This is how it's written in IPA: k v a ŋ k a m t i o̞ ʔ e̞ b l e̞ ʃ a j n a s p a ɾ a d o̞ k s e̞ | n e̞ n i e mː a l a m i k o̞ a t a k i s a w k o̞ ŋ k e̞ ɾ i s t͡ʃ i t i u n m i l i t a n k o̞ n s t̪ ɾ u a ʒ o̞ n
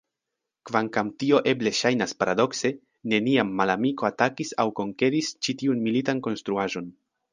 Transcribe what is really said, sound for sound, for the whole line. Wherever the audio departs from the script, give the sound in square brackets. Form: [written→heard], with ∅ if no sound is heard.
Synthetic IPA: k v a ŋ k a m t i o̞ ʔ e̞ b l e̞ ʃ a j n a s p a ɾ a d o̞ k s e̞ | n e̞ n i [e→a] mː a l a m i k o̞ a t a k i s a w k o̞ ŋ k e̞ ɾ i s t͡ʃ i t i u n m i l i t a n k o̞ n s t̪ ɾ u a ʒ o̞ n